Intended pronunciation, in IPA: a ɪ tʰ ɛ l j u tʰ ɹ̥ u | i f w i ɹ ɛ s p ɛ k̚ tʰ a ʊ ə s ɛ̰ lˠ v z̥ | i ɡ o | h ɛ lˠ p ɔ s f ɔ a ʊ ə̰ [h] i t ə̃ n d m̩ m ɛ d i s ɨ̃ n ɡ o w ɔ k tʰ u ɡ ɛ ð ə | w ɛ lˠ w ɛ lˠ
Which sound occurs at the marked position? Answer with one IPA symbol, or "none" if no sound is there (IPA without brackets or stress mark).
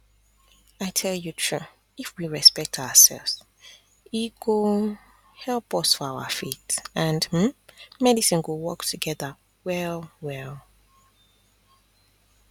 f